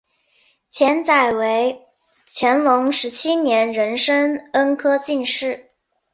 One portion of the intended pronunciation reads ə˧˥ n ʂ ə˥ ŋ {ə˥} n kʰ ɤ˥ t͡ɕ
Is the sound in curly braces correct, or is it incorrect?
correct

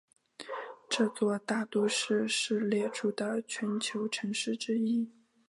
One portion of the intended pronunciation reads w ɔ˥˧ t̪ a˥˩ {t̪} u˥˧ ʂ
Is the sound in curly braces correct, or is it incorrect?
correct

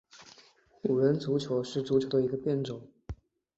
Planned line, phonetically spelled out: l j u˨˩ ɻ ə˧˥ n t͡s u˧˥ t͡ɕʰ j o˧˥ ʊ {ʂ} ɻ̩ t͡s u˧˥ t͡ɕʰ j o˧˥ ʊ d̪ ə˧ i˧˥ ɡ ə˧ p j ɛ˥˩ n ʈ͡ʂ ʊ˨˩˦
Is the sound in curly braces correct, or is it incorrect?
correct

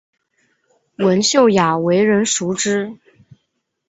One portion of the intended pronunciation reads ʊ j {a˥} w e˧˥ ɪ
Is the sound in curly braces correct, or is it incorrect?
incorrect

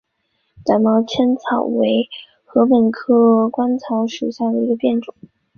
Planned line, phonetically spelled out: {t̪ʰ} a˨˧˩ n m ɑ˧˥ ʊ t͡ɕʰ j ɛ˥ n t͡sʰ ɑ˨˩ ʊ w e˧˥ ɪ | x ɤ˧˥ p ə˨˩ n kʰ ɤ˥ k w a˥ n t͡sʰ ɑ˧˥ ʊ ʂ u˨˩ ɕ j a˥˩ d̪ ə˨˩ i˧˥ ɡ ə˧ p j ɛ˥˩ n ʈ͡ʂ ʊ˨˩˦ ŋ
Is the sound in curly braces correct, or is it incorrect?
incorrect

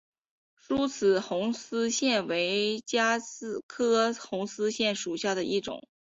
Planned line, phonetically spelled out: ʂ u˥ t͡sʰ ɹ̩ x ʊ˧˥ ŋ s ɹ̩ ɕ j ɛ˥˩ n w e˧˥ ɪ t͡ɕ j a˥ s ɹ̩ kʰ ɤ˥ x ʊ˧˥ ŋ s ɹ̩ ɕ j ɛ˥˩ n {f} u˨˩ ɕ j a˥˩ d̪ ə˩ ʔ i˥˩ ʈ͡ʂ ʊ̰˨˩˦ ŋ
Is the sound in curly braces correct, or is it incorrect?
incorrect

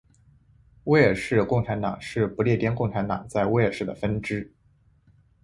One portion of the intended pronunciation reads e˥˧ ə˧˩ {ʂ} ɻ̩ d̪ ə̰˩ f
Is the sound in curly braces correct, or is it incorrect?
correct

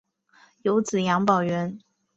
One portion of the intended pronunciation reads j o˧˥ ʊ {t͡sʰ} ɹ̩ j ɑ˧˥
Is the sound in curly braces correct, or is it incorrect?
incorrect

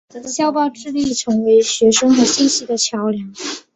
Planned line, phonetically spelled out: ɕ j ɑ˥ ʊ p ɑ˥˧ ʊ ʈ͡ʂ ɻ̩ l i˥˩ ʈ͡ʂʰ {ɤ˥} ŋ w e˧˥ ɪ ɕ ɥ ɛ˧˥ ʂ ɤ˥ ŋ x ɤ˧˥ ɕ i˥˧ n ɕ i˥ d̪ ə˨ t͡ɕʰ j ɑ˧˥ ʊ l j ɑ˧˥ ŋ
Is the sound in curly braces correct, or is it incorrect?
incorrect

